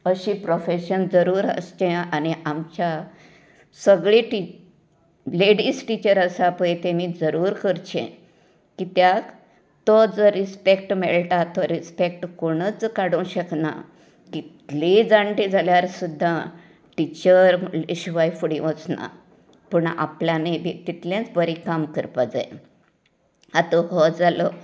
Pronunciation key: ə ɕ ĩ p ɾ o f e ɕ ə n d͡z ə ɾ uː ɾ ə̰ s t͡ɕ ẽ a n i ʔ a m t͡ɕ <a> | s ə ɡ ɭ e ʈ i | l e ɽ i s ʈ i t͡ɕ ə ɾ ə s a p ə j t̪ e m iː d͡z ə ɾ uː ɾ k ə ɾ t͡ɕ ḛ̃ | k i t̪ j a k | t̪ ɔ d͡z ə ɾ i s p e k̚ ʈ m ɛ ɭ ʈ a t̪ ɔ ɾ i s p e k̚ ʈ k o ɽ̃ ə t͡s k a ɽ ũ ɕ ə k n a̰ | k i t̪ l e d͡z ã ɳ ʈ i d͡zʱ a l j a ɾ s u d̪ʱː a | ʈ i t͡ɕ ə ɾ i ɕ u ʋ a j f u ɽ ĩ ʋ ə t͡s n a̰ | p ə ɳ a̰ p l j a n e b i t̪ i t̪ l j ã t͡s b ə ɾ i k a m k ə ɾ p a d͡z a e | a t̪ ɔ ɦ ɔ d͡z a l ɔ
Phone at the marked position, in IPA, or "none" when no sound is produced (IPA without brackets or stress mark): a